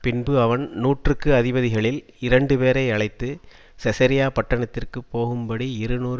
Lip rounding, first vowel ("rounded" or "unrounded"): unrounded